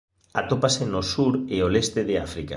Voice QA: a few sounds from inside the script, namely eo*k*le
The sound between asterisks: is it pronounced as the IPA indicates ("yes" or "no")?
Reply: no